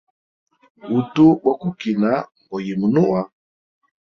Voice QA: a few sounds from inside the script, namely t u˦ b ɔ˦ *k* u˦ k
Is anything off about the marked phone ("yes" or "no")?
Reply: no